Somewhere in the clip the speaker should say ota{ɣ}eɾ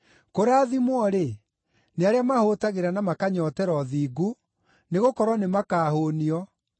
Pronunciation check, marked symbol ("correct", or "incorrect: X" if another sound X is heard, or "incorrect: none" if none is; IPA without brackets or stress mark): correct